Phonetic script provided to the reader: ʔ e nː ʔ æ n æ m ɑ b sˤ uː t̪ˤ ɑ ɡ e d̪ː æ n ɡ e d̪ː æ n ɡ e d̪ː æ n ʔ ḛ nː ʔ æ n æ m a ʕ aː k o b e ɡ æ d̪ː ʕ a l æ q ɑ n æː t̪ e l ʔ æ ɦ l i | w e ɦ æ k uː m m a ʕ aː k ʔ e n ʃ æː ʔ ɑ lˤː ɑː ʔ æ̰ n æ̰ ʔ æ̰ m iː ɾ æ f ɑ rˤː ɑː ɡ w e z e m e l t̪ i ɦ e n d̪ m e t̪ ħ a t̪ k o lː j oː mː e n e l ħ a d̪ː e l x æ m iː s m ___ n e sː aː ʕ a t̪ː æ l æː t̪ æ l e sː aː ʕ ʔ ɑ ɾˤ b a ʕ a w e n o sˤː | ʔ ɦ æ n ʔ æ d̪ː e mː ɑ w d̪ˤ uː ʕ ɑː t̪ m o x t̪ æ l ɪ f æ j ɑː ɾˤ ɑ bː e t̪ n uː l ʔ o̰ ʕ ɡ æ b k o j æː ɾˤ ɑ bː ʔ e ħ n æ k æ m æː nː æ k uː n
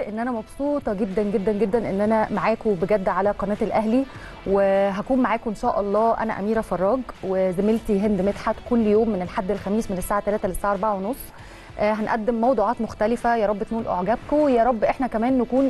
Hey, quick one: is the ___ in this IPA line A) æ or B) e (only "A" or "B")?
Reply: B